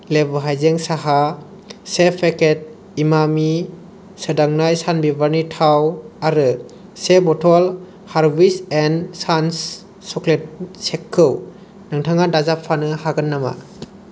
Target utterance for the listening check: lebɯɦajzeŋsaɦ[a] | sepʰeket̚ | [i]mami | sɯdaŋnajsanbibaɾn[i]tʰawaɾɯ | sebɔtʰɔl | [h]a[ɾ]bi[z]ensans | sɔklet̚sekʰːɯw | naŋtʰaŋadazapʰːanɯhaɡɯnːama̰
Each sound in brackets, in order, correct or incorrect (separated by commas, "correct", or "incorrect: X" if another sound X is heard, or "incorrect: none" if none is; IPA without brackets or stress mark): correct, correct, correct, correct, correct, incorrect: s